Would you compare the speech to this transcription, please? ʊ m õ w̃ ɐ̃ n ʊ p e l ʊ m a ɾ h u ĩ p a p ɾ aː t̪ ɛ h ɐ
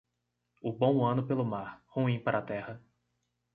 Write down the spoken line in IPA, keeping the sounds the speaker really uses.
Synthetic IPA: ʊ b õ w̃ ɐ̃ n ʊ p e l ʊ m a ɾ h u ĩ p a ɾ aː t̪ ɛ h ɐ